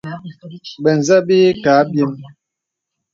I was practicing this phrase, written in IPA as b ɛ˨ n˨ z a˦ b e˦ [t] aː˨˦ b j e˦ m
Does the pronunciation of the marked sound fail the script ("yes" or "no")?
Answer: yes